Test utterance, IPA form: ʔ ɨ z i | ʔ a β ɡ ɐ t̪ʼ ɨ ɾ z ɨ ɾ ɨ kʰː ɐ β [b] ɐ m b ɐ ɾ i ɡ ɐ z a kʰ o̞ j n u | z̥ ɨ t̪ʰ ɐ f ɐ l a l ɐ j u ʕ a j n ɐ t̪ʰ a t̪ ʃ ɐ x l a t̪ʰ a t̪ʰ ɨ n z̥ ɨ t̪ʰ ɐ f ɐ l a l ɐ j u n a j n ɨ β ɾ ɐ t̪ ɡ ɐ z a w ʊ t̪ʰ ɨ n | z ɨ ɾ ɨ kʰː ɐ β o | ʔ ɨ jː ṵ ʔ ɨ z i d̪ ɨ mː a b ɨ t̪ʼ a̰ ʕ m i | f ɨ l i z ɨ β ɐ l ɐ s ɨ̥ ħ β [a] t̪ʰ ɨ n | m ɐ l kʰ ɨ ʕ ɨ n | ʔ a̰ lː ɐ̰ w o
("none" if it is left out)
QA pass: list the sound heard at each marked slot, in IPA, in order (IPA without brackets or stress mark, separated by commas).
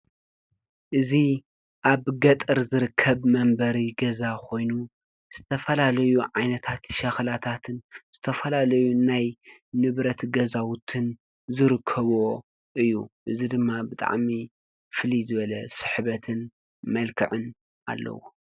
m, ɐ